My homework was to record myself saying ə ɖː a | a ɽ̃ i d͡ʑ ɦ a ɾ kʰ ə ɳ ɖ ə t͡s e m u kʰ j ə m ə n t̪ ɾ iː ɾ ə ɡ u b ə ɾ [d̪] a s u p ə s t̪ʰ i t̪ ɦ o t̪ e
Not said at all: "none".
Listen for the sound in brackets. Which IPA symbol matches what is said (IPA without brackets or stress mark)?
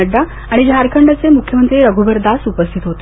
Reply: d̪